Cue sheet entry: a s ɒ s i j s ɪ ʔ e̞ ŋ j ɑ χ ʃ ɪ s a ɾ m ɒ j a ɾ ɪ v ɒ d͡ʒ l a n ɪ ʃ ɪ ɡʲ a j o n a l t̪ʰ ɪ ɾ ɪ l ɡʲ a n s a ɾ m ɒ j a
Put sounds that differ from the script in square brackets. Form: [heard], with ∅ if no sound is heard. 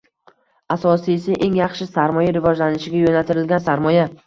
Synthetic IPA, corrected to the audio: a s ɒ s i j s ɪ ʔ e̞ ŋ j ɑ χ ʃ ɪ s a ɾ m ɒ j a ɾ ɪ v ɒ d͡ʒ l a n ɪ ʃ ɪ ɡʲ a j o n a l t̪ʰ ɪ ɾ ɪ l ɡʲ a n s a ɾ m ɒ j a

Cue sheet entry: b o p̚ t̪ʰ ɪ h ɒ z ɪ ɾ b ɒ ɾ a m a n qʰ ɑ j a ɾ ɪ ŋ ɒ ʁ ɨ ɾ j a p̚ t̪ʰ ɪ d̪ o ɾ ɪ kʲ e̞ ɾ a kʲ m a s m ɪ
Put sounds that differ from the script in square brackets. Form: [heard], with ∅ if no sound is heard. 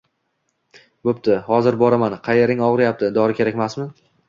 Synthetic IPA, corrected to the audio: b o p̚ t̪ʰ ɪ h ɒ z ɪ ɾ b ɒ ɾ a m a n qʰ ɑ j [e] ɾ ɪ ŋ ɒ ʁ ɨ ɾ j a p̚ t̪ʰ ɪ d̪ [ɒ] ɾ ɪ kʲ e̞ ɾ a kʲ m a s m ɪ

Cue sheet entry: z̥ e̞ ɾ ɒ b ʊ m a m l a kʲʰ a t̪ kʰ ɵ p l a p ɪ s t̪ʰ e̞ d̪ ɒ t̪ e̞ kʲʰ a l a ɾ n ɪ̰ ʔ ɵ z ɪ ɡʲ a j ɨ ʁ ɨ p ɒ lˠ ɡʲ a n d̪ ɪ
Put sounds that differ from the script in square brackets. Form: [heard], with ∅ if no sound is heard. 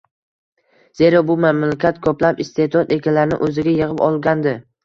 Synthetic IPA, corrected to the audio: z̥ e̞ ɾ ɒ b ʊ m a m l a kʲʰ a t̪ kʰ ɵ p l a p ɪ s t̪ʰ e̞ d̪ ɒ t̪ e̞ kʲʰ a l a ɾ n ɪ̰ ʔ ɵ z ɪ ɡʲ a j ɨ ʁ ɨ p ɒ lˠ ɡʲ a n d̪ ɪ

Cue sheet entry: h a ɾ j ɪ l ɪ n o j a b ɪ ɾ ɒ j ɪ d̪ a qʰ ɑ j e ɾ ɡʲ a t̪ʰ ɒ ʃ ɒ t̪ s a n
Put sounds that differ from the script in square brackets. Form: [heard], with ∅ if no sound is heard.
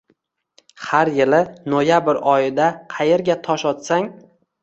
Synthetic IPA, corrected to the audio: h a ɾ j ɪ l ɪ n o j a b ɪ ɾ ɒ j ɪ d̪ a qʰ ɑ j e ɾ ɡʲ a t̪ʰ ɒ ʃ ɒ t̪ s a [ŋ]

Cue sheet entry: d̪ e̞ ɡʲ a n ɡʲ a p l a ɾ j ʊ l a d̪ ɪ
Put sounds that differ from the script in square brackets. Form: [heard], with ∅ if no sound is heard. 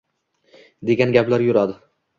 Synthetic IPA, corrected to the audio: d̪ e̞ ɡʲ a n ɡʲ a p l a ɾ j ʊ [ɾ] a d̪ ɪ

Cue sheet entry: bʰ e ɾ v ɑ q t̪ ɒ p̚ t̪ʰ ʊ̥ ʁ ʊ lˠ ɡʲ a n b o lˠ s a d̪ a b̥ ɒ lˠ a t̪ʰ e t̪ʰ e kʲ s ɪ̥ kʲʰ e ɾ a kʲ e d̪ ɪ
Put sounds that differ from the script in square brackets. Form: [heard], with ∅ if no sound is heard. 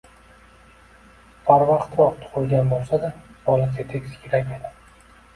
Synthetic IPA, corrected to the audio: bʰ [a] ɾ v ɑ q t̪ ɒ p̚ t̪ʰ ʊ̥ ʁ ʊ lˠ ɡʲ a n b o lˠ s a d̪ a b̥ ɒ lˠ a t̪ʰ e t̪ʰ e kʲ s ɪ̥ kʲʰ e ɾ a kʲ e d̪ ɪ

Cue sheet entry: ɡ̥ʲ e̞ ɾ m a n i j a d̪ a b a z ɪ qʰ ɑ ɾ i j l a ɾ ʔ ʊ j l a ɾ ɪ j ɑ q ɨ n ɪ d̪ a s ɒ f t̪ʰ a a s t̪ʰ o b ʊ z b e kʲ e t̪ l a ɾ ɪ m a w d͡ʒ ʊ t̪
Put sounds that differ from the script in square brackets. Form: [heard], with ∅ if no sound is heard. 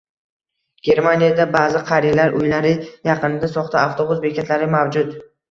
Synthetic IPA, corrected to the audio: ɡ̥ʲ e̞ ɾ m a n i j a d̪ a b a z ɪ qʰ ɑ ɾ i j l a ɾ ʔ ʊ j l a ɾ ɪ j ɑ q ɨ n ɪ d̪ a s ɒ [χ] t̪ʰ a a [f] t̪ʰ o b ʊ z b e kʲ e t̪ l a ɾ ɪ m a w d͡ʒ ʊ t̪

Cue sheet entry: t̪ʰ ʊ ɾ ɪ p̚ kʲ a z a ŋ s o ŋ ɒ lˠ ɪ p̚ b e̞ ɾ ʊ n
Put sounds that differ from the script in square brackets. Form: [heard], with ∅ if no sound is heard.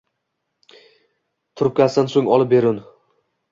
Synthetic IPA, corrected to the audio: t̪ʰ ʊ ɾ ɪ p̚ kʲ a [s] a [n] s o ŋ ɒ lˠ ɪ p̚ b e̞ ɾ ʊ n

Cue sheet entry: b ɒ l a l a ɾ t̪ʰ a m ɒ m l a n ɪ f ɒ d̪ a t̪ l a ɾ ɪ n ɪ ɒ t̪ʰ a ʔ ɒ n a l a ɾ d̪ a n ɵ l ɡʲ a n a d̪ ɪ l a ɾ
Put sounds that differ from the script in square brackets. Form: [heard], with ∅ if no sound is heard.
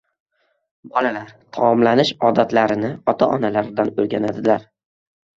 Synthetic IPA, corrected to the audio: b ɒ l a l a ɾ t̪ʰ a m ɒ m l a n ɪ [ʃ] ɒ d̪ a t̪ l a ɾ ɪ n ɪ ɒ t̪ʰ a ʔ ɒ n a l a ɾ d̪ a n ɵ l ɡʲ a n a d̪ ɪ l a ɾ

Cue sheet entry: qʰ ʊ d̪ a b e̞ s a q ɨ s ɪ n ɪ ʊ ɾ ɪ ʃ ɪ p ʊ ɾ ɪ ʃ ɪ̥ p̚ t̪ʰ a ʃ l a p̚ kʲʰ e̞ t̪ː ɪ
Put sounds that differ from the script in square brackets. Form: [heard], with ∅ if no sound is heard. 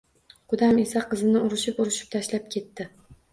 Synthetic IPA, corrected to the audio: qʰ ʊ d̪ a [m] e̞ s a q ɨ [z] ɪ n ɪ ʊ ɾ ɪ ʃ ɪ p ʊ ɾ ɪ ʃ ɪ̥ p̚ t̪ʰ a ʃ l a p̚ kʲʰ e̞ t̪ː ɪ

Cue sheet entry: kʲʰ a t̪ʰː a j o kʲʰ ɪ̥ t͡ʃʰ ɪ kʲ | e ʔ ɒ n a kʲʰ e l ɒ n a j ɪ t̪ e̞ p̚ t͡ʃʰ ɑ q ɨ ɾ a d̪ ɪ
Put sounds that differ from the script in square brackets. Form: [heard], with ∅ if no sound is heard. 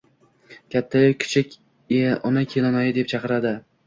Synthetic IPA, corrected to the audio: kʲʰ a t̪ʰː a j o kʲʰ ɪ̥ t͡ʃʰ ɪ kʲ | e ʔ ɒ n a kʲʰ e l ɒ n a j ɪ [d̪] e̞ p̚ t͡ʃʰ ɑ q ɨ ɾ a d̪ ɪ

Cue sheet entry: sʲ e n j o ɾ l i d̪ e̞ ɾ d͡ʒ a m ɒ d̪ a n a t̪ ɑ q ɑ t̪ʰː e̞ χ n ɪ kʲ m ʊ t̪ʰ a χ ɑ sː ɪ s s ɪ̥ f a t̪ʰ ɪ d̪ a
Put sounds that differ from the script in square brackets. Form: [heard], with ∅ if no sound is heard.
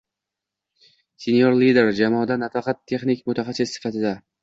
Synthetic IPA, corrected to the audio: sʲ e n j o ɾ l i d̪ e̞ ɾ d͡ʒ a m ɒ d̪ a n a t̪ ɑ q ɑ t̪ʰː e̞ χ n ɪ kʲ m ʊ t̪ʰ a χ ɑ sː ɪ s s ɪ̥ f a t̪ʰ ɪ d̪ a

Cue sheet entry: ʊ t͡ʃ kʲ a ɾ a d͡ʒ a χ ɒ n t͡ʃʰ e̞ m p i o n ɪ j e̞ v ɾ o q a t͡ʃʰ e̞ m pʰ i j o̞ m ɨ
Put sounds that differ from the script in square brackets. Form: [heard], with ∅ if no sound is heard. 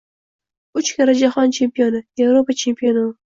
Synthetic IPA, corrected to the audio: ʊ t͡ʃ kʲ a ɾ a d͡ʒ a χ ɒ n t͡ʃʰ e̞ m p i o n ɪ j e̞ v ɾ o [p] a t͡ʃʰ e̞ m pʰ i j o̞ [n] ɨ

